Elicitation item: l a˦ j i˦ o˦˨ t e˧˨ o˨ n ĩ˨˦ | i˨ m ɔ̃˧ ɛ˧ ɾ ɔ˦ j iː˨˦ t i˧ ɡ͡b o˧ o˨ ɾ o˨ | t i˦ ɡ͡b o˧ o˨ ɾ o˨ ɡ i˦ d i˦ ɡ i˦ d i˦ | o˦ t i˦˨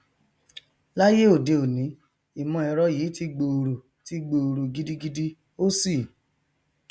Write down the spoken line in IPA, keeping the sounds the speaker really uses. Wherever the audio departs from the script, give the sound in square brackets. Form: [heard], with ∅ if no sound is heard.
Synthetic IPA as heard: l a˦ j [e˦] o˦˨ [d] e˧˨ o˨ n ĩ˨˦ | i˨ m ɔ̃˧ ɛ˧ ɾ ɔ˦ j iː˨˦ t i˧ ɡ͡b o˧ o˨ ɾ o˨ | t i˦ ɡ͡b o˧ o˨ ɾ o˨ ɡ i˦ d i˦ ɡ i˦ d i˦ | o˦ [s] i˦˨